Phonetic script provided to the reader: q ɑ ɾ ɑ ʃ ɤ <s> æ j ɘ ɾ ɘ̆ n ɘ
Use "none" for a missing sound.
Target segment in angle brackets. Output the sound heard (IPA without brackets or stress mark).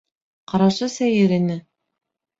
s